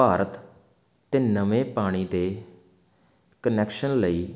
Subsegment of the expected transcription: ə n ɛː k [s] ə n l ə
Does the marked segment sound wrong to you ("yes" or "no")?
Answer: yes